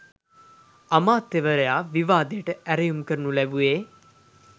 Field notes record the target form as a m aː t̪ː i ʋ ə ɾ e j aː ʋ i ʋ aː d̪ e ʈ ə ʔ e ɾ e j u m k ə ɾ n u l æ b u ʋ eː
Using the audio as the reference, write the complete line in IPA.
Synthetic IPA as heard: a m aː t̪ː e ʋ ə ɾ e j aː ʋ i ʋ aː d̪ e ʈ ə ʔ æ ɾ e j u m k ə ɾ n u l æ b u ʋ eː